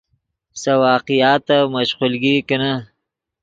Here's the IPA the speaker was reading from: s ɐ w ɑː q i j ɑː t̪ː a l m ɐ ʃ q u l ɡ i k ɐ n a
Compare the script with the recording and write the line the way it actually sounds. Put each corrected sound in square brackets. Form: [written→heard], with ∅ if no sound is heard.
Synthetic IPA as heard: s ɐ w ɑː q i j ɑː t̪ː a [l→∅] m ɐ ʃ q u l ɡ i k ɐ n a